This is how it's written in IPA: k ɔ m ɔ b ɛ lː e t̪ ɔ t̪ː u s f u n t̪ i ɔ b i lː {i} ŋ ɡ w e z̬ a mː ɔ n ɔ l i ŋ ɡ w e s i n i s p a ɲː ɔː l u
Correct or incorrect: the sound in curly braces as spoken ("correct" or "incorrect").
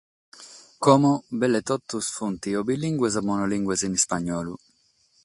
correct